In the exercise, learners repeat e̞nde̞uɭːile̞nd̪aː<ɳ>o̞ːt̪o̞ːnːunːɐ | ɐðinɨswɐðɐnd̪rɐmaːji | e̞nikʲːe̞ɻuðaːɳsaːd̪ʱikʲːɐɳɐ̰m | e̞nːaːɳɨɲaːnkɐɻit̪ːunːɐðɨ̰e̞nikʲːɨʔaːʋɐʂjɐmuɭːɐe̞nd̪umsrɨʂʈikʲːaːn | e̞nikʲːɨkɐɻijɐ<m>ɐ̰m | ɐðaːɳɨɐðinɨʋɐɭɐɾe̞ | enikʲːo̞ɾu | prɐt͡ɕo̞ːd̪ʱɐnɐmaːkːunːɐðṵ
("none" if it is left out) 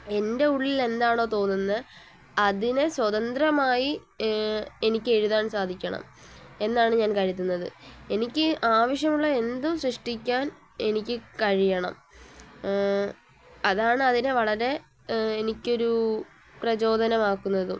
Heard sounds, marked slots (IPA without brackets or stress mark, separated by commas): ɳ, ɳ